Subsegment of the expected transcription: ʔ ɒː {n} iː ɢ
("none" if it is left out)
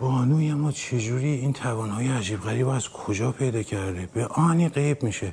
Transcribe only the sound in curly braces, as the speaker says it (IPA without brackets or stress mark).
n